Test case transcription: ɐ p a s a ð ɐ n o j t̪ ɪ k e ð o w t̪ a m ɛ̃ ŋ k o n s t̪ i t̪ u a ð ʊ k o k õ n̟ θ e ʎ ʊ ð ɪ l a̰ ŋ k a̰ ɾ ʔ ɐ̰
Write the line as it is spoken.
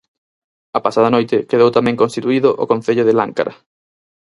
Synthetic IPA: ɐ p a s a ð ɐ n o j t̪ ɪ k e ð o w t̪ a m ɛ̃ ŋ k o n s t̪ i t̪ u i ð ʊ ʔ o k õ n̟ θ e ʎ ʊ ð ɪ l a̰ ŋ k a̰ ɾ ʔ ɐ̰